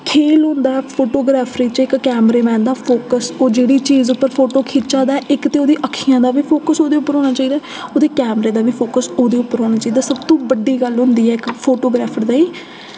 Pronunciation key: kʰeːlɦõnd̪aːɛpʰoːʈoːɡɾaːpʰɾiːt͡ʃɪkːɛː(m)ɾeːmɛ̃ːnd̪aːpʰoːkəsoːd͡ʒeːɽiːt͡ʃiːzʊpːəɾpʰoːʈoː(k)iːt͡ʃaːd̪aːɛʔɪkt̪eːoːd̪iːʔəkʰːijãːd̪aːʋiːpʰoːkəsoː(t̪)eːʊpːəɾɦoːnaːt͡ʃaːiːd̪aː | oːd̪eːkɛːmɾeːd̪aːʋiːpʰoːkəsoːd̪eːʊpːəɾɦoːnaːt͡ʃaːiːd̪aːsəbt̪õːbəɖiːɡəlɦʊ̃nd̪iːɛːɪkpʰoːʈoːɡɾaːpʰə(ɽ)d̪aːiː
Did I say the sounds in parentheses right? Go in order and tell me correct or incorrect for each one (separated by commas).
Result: correct, incorrect, incorrect, incorrect